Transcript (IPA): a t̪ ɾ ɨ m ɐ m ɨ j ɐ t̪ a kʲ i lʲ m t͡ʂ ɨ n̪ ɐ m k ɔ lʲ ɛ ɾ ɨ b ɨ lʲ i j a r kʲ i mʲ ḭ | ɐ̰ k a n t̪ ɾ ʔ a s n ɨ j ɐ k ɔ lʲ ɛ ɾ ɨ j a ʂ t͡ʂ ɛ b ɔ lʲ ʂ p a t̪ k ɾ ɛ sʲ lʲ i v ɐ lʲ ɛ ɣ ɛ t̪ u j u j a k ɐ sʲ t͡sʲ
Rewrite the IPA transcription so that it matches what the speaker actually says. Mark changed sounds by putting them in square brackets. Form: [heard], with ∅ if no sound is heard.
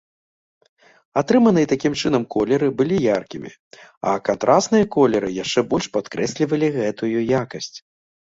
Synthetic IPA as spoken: a t̪ ɾ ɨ m ɐ [n] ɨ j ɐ t̪ a kʲ i [∅] m t͡ʂ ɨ n̪ ɐ m k ɔ lʲ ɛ ɾ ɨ b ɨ lʲ i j a r kʲ i mʲ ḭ | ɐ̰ k a n t̪ ɾ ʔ a s n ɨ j ɐ k ɔ lʲ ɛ ɾ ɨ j a ʂ t͡ʂ ɛ b ɔ lʲ ʂ p a t̪ k ɾ ɛ sʲ lʲ i v ɐ lʲ [i] ɣ ɛ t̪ u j u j a k ɐ sʲ t͡sʲ